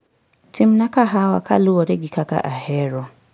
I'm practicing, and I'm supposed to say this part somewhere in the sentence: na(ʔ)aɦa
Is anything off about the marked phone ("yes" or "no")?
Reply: yes